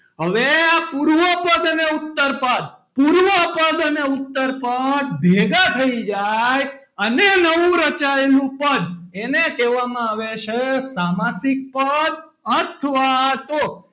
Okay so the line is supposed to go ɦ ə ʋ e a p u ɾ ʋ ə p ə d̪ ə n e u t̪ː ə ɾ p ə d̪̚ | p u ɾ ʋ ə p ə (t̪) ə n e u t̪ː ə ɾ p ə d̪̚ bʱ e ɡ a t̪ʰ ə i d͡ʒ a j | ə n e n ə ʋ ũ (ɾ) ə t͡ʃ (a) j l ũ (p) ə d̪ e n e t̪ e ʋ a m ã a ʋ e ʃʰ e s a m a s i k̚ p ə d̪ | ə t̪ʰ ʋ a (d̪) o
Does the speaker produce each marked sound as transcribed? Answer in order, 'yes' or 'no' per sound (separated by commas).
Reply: no, yes, yes, yes, no